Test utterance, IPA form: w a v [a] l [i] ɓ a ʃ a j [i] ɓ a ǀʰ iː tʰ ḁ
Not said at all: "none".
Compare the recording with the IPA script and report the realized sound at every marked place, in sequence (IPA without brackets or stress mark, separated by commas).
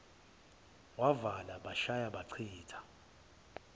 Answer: a, a, a